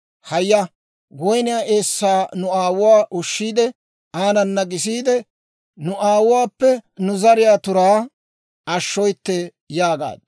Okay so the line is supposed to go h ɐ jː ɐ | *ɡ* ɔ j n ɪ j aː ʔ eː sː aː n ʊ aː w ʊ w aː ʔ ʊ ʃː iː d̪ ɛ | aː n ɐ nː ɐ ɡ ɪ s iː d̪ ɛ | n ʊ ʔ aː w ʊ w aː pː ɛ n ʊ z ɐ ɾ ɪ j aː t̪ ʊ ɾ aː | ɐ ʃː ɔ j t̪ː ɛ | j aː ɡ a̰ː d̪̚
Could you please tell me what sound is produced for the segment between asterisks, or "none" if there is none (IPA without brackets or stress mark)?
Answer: ɡ